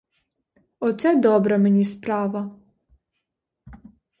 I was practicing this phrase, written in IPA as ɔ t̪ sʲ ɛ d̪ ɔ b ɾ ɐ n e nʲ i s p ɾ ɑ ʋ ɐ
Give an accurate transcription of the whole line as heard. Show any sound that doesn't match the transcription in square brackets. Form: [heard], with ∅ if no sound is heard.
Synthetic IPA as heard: ɔ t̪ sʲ ɛ d̪ ɔ b ɾ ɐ [m] e nʲ i s p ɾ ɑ ʋ ɐ